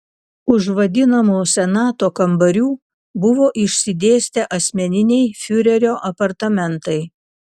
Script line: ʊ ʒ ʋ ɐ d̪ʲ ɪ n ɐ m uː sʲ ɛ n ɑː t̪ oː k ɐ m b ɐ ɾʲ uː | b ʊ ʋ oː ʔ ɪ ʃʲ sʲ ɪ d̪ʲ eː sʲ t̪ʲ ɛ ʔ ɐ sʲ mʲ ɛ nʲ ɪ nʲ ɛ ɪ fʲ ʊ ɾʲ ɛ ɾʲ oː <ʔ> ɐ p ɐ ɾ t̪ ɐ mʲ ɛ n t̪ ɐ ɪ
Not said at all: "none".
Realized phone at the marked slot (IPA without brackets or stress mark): ʔ